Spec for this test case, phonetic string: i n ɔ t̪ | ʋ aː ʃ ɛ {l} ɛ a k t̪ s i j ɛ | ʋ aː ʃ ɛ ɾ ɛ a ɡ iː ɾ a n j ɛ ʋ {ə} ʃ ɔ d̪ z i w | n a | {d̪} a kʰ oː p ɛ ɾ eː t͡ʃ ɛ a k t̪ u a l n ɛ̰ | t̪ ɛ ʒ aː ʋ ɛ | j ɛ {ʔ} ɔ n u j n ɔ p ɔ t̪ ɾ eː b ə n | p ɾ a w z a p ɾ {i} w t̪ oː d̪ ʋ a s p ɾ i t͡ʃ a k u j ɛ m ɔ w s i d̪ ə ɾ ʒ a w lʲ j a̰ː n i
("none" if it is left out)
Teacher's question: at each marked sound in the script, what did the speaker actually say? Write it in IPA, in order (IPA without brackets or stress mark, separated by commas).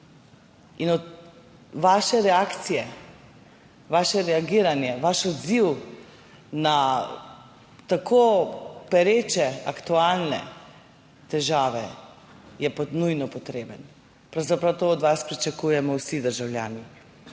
ɾ, a, t̪, p, a